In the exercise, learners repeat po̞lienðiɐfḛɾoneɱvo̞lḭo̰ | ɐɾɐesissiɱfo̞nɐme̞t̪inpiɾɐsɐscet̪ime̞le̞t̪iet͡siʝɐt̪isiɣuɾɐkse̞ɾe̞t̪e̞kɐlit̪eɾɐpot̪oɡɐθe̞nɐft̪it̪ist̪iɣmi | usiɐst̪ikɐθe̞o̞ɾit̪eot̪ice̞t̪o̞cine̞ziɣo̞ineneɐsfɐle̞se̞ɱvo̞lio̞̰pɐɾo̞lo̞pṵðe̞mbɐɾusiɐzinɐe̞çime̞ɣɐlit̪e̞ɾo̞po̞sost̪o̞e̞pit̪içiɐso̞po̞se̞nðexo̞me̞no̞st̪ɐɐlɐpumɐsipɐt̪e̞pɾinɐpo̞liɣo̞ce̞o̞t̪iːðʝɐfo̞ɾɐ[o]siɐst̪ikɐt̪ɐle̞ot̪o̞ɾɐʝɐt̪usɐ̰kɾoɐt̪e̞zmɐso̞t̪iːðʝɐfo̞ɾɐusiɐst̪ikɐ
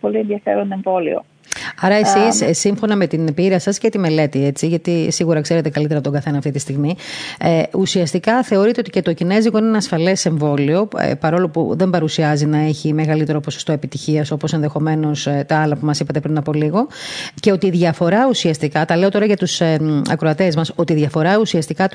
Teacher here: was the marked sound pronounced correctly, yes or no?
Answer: no